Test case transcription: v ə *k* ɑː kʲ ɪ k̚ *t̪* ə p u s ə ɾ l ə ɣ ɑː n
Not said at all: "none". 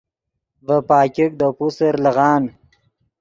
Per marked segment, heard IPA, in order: p, d̪

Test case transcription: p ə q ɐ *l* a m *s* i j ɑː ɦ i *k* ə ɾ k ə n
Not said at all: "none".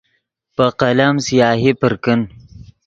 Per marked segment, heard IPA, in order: l, s, p

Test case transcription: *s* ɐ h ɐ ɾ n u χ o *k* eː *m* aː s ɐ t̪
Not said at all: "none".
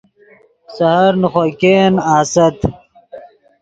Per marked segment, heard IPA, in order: s, k, n

